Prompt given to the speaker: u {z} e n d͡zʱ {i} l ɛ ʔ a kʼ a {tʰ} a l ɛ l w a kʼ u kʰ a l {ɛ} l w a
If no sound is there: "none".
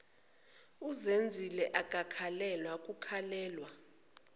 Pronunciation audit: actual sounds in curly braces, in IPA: z, i, kʰ, ɛː

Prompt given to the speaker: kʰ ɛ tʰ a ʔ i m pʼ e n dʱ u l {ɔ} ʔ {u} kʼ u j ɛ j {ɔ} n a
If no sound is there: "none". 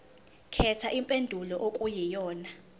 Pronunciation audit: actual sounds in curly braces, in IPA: ɔ, o, ɔː

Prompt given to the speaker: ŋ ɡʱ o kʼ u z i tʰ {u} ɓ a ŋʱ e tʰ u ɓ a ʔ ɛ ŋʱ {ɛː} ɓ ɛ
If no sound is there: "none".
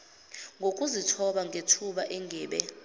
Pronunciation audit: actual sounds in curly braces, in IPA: ɔ, ɛː

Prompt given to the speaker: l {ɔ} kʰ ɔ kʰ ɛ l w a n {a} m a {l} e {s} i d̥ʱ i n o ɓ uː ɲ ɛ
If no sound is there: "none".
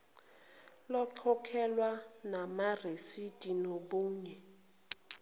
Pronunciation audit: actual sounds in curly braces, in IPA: ɔ, a, r, s

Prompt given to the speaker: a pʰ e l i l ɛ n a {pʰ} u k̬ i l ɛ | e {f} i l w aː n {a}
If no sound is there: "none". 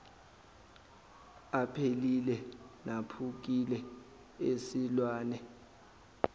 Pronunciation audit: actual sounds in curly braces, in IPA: pʰ, s, ɛ

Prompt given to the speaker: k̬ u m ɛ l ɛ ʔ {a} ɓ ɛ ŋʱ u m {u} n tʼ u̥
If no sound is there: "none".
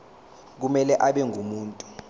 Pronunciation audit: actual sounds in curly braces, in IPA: a, uː

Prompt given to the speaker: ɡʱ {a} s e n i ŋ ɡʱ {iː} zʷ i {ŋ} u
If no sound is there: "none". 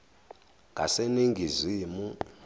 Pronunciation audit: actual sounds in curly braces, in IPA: a, i, m

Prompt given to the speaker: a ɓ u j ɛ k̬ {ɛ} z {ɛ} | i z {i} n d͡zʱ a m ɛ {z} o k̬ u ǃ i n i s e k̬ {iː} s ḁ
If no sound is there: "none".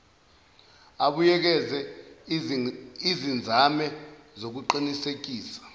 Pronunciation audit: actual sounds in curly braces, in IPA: ɛ, ɛ, i, z, iː

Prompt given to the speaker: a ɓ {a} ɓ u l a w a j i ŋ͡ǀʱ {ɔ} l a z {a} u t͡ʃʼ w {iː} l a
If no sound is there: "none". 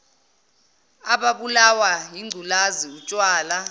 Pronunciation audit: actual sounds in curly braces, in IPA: a, u, i, aː

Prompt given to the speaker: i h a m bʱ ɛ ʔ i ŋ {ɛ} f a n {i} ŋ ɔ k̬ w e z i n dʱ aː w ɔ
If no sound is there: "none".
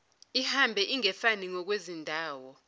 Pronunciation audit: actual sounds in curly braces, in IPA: ɛ, i

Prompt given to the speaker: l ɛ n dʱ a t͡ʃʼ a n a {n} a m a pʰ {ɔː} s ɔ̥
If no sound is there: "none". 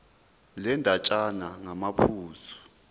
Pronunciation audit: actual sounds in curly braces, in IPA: ŋ, uː

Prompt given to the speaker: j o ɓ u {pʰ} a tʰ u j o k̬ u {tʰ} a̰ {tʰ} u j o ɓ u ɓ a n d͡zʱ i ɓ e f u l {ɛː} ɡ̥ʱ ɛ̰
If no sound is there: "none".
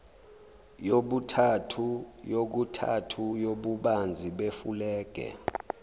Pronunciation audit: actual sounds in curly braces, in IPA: tʰ, tʰ, tʰ, ɛː

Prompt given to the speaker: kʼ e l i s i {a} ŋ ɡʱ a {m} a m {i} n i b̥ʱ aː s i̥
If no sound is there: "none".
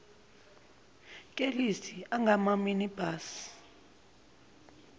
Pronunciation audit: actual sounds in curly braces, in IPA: a, m, i

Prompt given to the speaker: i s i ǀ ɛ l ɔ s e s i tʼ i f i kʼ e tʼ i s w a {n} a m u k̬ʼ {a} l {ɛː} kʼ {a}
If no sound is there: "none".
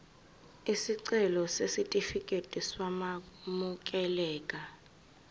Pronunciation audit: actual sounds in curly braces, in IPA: m, ɛ, ɛː, a

